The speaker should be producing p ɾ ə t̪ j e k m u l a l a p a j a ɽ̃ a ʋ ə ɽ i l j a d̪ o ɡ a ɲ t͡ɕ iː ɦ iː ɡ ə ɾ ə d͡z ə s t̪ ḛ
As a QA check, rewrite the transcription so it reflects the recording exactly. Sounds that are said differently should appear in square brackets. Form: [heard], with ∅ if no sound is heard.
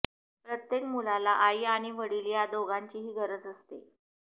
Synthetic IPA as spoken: p ɾ ə t̪ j e k m u l a l a [ʔ] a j a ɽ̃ [i] ʋ ə ɽ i l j a d̪ o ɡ a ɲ t͡ɕ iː ɦ iː ɡ ə ɾ ə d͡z ə s t̪ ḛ